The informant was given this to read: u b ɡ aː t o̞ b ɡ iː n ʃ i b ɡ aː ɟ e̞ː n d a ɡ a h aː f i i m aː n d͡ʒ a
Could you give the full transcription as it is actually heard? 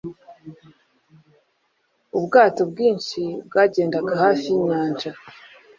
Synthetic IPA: u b ɡ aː t o̞ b ɡ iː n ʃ i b ɡ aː ɟ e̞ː n d a ɡ a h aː f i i ɲ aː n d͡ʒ a

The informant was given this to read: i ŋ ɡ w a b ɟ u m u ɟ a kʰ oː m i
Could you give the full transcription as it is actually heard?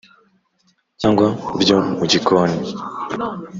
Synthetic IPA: a ŋ ɡ w a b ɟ o m u ɟ i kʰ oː n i

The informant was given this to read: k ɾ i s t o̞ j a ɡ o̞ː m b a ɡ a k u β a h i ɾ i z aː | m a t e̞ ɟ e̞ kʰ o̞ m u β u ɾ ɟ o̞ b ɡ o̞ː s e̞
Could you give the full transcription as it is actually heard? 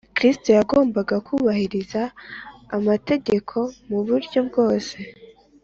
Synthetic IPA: k ɾ i s t o̞ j a ɡ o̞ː m b a ɡ a k u β a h i ɾ i z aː | m a t e̞ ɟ e̞ kʰ o̞ m u β u ɾ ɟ o̞ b ɡ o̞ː s e̞

